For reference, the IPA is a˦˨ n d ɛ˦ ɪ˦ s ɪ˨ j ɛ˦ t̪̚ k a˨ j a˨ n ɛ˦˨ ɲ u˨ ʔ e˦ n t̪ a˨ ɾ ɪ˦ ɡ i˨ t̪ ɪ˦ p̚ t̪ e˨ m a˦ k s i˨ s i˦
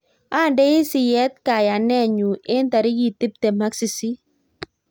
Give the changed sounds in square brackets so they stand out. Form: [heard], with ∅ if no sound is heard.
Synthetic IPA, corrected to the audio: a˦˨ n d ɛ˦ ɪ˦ s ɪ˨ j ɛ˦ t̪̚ k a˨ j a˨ n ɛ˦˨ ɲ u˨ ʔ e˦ n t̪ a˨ ɾ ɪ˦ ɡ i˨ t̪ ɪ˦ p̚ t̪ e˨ m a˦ k s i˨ s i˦